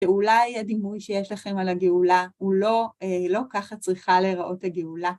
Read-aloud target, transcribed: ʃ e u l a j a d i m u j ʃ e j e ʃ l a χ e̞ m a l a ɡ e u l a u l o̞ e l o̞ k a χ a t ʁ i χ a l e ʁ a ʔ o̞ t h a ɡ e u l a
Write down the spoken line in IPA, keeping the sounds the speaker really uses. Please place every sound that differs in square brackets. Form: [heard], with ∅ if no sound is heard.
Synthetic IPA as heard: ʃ e u l a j a d i m u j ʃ e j e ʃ l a χ e̞ m a l a ɡ e u l a u l o̞ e l o̞ k a χ a [t͡s] ʁ i χ a l e ʁ a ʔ o̞ t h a ɡ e u l a